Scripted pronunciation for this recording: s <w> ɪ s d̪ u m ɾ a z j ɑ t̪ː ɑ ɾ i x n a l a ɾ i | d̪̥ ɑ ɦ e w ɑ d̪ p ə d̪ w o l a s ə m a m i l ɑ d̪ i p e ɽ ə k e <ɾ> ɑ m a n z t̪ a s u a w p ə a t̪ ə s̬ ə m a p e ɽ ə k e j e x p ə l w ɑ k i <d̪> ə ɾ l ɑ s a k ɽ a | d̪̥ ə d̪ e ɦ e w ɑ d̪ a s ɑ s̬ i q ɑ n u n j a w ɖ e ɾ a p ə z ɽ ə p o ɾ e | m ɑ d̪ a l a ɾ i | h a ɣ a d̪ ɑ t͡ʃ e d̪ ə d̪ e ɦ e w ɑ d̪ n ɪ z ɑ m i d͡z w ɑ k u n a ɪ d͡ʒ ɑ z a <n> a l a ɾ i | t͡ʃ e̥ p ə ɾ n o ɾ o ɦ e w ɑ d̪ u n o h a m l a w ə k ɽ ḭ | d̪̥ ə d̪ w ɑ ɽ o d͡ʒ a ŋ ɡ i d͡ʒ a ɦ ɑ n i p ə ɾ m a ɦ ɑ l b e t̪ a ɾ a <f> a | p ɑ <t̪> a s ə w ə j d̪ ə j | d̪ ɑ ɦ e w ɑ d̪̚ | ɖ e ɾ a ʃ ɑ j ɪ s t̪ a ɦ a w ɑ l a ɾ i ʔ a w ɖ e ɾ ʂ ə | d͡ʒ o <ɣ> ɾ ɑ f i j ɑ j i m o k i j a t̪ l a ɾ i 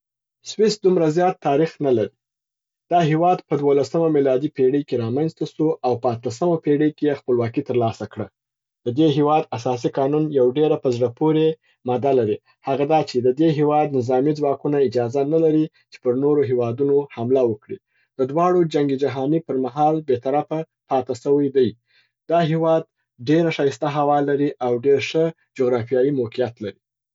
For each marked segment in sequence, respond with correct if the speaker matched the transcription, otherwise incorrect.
correct, correct, incorrect: t̪, correct, correct, correct, correct

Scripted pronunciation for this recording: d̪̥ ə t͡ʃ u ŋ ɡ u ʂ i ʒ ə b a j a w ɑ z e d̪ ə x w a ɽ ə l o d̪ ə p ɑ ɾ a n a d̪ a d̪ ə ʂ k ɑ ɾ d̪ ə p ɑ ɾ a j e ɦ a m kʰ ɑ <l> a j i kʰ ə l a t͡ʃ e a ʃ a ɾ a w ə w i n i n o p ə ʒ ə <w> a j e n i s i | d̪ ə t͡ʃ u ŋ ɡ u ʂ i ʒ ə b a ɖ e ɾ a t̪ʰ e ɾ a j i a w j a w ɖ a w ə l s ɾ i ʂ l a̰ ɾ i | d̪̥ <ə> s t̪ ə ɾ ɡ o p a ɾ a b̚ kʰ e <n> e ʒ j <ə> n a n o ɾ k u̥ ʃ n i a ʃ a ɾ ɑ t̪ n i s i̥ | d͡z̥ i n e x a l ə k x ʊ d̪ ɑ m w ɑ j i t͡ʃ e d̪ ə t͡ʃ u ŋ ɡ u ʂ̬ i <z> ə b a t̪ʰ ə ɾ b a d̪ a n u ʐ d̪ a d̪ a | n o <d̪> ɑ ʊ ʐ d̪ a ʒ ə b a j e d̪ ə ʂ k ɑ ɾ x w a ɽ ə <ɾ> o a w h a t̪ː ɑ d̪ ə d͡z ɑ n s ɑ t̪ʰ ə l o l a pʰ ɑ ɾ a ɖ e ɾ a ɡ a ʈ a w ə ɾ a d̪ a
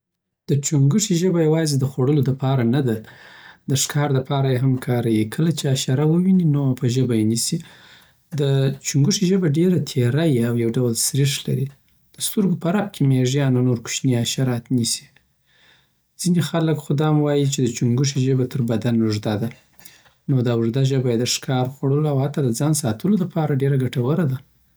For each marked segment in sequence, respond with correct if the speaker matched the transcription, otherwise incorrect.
incorrect: ɾ, incorrect: b, correct, incorrect: m, incorrect: ɑ, incorrect: ʒ, correct, incorrect: l

